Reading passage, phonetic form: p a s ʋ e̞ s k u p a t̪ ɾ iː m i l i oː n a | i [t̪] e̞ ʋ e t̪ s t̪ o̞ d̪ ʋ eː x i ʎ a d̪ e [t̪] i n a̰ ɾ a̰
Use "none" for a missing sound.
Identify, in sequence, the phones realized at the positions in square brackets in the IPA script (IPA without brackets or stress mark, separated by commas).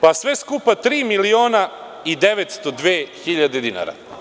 d̪, d̪